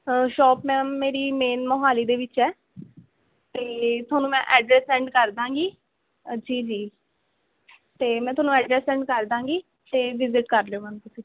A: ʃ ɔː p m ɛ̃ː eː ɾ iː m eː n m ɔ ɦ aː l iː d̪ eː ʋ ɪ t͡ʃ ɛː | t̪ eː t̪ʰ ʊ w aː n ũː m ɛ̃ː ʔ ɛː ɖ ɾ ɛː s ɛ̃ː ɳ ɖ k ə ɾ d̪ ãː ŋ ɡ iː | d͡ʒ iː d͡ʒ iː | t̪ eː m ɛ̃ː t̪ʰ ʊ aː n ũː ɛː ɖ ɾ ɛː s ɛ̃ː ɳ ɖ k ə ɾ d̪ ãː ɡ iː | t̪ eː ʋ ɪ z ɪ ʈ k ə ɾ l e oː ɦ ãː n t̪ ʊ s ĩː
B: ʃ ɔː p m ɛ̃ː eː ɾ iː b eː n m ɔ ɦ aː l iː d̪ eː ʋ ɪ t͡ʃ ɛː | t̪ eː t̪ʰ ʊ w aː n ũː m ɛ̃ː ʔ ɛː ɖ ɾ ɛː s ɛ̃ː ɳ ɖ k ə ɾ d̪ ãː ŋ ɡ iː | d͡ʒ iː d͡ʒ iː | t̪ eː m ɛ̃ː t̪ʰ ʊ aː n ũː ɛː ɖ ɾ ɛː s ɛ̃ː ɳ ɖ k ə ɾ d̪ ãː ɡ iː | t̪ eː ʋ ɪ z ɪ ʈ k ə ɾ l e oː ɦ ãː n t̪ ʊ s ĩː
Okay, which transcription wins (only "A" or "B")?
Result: A